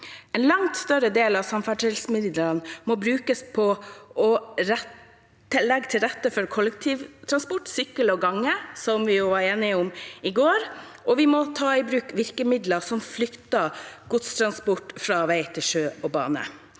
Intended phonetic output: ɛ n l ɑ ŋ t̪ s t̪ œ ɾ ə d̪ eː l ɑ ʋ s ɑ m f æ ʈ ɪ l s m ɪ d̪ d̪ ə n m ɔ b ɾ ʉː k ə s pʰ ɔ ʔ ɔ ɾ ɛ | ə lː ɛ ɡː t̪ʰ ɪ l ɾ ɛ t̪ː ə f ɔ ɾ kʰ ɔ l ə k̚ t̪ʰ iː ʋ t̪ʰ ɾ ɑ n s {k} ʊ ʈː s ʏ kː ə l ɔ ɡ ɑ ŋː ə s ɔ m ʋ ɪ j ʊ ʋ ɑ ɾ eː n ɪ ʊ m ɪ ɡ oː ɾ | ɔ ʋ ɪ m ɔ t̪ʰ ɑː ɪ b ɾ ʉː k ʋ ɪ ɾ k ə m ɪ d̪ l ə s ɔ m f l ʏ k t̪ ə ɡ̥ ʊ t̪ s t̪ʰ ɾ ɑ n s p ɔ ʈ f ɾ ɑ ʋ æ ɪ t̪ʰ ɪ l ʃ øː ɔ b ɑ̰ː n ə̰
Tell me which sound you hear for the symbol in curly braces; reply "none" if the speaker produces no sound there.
p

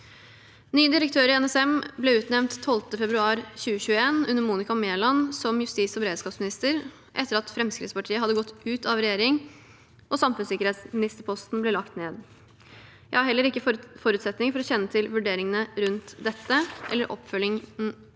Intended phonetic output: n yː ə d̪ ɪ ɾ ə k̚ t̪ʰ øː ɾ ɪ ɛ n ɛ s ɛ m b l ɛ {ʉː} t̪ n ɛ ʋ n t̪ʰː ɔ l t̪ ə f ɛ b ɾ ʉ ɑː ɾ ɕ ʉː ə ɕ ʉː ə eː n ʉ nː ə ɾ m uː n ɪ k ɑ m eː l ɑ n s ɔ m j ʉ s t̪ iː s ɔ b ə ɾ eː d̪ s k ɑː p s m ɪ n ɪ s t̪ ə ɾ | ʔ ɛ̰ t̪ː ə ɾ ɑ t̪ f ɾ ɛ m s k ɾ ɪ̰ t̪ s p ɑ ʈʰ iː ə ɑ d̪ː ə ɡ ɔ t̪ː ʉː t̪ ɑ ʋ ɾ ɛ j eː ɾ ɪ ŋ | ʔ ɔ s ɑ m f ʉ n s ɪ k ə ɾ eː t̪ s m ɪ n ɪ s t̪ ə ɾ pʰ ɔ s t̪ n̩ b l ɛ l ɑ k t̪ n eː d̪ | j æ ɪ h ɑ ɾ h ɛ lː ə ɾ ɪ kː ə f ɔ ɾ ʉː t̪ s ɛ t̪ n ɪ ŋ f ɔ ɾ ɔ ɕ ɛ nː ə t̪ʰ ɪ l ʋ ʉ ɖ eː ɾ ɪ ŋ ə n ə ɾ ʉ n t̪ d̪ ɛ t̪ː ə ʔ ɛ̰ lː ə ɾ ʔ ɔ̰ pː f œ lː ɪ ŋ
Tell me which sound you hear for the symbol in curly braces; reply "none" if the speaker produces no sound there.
ʉː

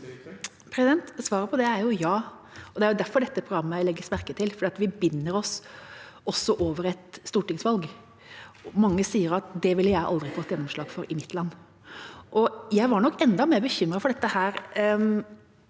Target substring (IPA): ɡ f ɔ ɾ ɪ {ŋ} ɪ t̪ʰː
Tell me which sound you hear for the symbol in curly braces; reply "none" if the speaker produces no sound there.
m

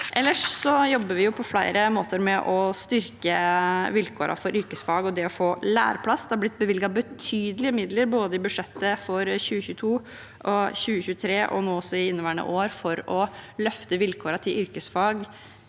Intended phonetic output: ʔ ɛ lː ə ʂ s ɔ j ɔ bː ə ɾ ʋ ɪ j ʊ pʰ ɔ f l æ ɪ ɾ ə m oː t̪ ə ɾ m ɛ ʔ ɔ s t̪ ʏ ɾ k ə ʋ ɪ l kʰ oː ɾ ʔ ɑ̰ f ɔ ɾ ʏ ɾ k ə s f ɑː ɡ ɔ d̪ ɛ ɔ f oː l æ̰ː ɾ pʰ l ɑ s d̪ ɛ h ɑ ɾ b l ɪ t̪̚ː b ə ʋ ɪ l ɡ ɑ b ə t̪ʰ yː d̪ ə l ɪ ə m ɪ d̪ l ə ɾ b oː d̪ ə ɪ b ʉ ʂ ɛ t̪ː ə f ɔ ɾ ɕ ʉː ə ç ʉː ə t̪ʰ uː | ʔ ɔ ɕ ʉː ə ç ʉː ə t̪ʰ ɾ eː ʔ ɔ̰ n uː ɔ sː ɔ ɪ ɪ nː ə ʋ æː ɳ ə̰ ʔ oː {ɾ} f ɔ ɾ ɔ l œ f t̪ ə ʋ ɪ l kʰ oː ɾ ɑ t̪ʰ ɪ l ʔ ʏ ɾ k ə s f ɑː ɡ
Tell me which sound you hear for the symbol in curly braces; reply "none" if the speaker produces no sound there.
ɾ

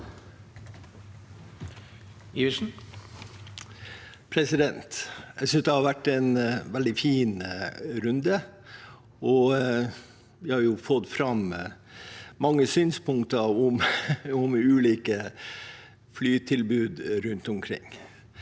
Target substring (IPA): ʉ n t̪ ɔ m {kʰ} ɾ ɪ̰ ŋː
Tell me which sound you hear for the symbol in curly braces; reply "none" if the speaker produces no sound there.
kʰ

